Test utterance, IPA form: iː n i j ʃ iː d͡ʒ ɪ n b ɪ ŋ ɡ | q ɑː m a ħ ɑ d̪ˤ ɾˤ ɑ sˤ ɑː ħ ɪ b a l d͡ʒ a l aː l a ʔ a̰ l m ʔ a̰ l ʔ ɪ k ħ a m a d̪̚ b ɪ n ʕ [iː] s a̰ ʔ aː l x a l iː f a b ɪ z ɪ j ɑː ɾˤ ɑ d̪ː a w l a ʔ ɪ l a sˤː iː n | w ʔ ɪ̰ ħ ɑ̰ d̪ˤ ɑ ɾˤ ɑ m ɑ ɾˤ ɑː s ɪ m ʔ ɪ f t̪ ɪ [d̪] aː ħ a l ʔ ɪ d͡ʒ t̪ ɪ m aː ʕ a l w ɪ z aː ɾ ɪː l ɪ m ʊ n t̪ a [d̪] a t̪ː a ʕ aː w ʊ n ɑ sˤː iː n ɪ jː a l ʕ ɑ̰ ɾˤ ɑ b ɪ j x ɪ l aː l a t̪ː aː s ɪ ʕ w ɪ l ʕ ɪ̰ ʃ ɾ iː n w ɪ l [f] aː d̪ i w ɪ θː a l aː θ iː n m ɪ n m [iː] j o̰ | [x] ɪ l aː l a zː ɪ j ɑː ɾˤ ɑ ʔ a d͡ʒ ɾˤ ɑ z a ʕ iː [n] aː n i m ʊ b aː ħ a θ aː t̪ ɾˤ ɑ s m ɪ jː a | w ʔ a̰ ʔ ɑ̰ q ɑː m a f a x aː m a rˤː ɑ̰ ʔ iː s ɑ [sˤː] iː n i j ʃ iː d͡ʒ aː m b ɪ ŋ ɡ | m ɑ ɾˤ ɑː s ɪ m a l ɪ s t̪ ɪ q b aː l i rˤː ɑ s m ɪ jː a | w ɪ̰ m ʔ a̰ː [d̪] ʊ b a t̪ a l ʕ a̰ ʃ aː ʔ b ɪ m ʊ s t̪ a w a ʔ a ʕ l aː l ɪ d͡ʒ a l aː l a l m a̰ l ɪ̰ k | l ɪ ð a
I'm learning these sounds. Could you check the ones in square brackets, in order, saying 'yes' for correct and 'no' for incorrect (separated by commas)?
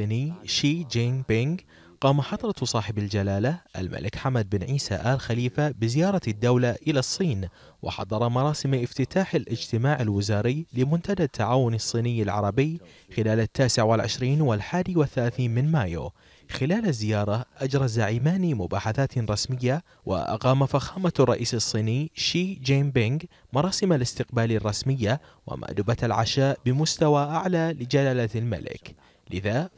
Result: yes, no, yes, no, no, yes, no, yes, yes